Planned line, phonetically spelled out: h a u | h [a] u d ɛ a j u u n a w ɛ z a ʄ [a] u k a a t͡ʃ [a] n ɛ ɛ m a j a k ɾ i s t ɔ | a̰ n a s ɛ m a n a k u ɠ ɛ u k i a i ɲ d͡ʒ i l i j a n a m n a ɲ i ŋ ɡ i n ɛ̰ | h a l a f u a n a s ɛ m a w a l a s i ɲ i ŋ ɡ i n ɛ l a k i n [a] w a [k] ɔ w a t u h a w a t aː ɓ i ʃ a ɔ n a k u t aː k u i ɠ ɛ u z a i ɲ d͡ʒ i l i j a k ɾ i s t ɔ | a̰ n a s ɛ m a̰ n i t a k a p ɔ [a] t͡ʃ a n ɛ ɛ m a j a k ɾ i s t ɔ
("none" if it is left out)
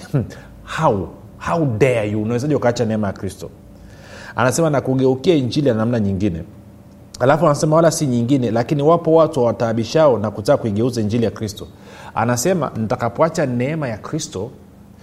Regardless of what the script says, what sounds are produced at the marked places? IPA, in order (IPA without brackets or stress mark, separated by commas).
a, i, a, i, p, a